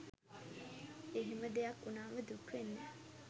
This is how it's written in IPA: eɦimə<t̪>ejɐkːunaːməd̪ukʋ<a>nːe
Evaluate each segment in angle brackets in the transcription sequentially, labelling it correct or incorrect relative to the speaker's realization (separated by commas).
incorrect, incorrect